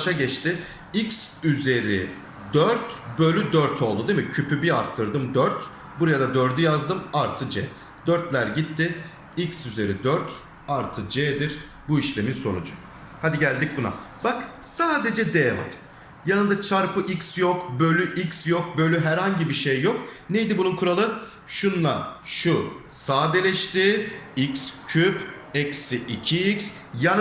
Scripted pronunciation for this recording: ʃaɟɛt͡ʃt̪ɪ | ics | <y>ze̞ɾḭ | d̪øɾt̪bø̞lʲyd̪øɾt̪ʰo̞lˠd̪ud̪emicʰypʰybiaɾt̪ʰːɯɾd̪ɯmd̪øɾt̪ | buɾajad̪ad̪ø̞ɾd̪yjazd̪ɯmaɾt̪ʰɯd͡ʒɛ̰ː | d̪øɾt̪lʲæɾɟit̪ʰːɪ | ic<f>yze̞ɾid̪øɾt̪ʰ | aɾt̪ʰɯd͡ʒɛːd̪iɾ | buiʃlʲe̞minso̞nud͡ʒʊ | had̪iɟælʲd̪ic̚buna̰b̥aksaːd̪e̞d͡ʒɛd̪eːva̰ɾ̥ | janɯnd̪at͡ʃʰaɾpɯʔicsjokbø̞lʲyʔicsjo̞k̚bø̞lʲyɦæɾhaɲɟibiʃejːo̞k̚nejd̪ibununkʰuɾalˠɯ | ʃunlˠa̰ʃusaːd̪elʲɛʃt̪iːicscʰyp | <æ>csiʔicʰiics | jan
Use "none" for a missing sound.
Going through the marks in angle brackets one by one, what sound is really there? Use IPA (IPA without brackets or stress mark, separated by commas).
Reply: y, s, ɛ